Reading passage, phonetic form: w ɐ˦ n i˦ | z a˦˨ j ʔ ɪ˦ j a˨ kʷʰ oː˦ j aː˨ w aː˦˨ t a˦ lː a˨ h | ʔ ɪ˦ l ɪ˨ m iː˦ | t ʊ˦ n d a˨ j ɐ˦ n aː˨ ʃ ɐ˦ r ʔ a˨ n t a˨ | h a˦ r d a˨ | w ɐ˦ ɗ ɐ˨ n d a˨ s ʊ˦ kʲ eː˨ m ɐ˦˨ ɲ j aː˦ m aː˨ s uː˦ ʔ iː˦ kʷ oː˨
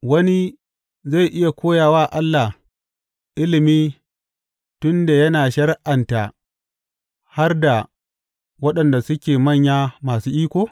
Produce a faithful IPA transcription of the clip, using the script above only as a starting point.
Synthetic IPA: w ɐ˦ n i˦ | z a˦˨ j ʔ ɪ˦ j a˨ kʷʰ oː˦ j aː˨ w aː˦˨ ʔ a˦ lː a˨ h | ʔ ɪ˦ l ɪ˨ m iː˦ | t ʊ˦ n d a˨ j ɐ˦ n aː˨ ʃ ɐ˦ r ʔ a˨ n t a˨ | h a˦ r d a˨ | w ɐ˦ ɗ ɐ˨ n d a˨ s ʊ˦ kʲ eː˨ m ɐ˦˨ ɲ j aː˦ m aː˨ s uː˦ ʔ iː˦ kʷ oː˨